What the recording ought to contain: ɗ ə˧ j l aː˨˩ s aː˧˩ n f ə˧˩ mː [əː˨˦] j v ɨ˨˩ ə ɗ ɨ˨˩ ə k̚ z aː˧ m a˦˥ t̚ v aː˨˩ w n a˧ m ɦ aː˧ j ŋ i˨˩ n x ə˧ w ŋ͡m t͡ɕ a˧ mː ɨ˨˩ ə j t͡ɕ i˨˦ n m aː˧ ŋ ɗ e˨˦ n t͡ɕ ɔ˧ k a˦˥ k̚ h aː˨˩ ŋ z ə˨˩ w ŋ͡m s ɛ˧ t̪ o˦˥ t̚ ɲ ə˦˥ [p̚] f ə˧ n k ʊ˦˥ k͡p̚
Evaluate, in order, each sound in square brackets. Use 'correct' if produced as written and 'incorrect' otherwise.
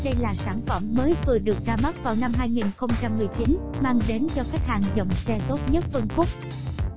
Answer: correct, incorrect: t̚

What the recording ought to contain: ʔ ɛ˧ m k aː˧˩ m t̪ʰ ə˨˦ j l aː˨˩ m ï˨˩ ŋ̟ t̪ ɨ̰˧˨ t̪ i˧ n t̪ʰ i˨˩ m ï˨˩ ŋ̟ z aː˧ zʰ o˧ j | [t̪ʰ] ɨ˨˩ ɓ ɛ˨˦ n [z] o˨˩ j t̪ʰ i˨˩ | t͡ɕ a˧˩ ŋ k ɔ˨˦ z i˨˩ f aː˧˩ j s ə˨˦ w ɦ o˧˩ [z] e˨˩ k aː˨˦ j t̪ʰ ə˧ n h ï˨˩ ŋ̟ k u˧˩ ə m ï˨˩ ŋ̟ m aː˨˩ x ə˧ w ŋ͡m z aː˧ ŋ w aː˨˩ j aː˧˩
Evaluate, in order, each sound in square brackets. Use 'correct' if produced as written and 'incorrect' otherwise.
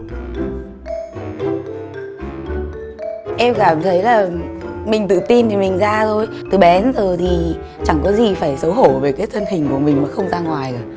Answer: incorrect: t̪, correct, incorrect: v

